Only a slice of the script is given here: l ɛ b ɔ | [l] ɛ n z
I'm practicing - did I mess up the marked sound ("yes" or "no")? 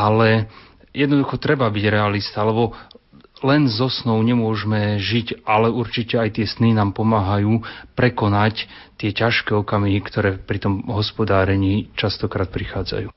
no